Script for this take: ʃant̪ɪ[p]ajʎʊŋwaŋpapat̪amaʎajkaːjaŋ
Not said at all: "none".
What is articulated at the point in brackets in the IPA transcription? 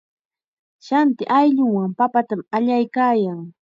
ʔ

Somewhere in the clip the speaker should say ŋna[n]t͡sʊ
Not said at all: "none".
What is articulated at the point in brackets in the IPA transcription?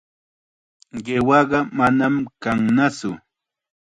none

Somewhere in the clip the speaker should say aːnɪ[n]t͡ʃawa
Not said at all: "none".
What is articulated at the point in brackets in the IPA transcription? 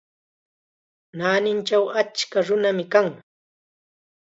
n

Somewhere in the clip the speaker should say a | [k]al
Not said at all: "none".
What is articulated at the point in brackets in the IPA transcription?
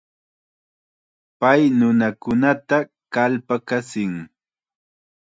k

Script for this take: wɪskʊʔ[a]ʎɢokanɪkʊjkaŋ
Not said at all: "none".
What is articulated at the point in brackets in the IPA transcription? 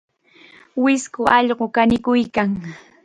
ɑ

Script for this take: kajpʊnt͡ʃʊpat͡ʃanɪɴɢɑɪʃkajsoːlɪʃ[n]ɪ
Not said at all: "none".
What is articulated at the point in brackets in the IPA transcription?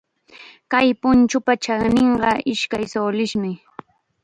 m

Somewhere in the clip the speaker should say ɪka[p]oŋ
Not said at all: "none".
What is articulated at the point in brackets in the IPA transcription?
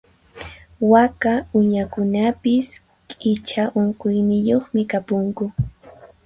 p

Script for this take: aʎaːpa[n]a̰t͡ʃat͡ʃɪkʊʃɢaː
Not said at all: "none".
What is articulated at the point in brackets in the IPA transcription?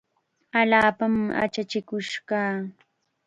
m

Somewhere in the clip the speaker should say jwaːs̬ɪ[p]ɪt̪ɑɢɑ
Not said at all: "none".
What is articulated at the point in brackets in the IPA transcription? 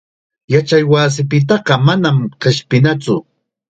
p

